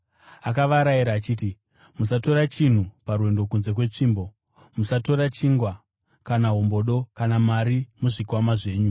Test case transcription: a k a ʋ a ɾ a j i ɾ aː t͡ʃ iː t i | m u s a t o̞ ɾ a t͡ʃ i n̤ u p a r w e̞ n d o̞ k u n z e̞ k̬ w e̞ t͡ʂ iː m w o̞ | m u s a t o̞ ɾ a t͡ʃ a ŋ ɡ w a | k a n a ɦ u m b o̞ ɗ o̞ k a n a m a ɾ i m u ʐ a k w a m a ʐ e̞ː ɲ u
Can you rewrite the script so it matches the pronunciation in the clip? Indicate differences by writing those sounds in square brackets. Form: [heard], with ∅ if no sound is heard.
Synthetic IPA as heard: a k a ʋ a ɾ a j i ɾ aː t͡ʃ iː t i | m u s a t o̞ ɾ a t͡ʃ i n̤ u p a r w e̞ n d o̞ k u n z e̞ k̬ w e̞ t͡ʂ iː m [b] o̞ | m u s a t o̞ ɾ a t͡ʃ [i] ŋ ɡ w a | k a n a ɦ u m b o̞ ɗ o̞ k a n a m a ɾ i m u ʐ [i] k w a m a ʐ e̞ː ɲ u